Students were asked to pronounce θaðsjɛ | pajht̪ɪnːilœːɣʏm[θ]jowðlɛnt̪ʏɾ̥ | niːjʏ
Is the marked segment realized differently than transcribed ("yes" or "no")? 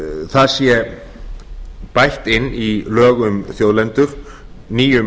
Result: no